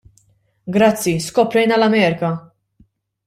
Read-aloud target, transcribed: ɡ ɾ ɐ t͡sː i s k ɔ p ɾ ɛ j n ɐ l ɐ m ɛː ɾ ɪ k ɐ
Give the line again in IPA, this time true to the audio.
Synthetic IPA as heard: ɡ ɾ ɐ t͡sː i s k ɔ p ɾ ɛ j n ɐ l ɐ m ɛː ɾ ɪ k ɐ